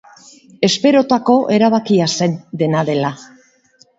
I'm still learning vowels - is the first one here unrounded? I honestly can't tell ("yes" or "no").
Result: yes